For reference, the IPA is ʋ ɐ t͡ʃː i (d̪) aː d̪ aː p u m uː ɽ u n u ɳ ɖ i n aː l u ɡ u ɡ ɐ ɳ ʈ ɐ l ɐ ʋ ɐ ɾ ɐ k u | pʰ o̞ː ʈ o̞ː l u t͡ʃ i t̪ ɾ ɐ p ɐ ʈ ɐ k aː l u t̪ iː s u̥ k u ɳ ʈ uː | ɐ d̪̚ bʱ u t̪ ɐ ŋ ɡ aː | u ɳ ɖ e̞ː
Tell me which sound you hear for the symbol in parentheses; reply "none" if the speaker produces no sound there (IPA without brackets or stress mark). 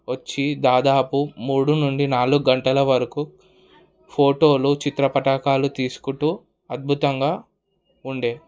d̪